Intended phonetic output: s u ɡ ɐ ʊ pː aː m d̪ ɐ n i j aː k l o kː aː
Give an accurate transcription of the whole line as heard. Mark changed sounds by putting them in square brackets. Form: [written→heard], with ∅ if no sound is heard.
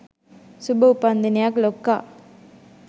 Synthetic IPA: s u [ɡ→b] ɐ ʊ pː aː [m→n] d̪ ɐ n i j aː k l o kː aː